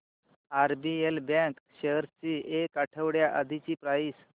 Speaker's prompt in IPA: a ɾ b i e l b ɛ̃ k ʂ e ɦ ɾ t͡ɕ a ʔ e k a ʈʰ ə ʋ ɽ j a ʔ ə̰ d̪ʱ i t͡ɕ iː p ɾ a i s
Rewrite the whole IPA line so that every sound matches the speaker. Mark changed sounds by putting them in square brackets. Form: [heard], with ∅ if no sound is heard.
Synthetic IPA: a ɾ b i e l b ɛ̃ k [ɕ] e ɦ ɾ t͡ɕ [i] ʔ e k a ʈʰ ə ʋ ɽ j a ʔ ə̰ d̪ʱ i t͡ɕ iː p ɾ a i s